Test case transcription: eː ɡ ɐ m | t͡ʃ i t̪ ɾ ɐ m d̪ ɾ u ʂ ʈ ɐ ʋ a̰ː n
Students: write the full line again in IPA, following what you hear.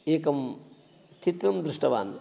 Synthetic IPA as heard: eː k ɐ m | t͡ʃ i t̪ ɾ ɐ m d̪ ɾ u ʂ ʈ ɐ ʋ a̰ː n

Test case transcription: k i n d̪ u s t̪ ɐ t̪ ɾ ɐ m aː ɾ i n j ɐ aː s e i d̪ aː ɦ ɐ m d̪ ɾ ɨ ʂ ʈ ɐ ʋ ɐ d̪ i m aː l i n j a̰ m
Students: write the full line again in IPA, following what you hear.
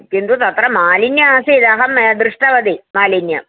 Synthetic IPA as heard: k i n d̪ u t̪ ɐ t̪ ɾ ɐ m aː l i n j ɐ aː s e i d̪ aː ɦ ɐ m d̪ ɾ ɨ ʂ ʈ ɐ ʋ ɐ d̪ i m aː l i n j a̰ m

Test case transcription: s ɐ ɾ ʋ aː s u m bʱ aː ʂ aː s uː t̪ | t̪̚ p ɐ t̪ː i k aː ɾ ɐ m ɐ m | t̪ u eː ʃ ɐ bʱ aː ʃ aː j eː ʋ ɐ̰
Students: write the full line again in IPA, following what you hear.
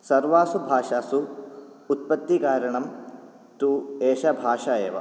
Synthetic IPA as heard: s ɐ ɾ ʋ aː s u bʱ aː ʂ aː s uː | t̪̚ p ɐ t̪ː i k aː ɾ ɐ ɳ ɐ m | t̪ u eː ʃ ɐ bʱ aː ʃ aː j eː ʋ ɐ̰

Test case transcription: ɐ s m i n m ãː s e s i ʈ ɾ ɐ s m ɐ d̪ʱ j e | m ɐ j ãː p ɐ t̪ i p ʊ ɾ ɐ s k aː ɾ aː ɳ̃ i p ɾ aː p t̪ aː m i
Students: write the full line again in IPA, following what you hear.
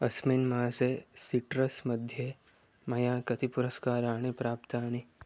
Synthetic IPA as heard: ɐ s m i n m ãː s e s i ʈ ɾ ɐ s m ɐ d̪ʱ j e | m ɐ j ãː k ɐ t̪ i p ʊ ɾ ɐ s k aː ɾ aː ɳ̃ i p ɾ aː p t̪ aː n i

